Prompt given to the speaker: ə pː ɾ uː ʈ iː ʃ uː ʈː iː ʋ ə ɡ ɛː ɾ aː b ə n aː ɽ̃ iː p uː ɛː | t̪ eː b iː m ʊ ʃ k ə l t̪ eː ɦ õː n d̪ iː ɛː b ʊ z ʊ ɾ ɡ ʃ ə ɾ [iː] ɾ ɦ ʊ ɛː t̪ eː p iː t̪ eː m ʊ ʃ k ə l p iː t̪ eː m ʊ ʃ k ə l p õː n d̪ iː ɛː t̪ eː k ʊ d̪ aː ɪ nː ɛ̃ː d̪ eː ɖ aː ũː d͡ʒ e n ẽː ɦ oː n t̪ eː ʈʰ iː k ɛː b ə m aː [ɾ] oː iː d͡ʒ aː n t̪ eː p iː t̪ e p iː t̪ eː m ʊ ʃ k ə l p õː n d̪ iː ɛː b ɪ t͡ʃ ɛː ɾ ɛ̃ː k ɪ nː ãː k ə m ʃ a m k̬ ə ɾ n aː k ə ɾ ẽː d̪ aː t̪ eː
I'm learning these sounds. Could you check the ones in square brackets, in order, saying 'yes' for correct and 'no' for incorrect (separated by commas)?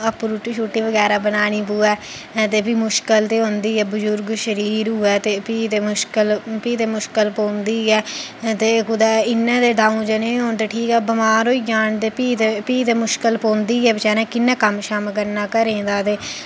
yes, yes